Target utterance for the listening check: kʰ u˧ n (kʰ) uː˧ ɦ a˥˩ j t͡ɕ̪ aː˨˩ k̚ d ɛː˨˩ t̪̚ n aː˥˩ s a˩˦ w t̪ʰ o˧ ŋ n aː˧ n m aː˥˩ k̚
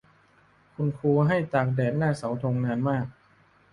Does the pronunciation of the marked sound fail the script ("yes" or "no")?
no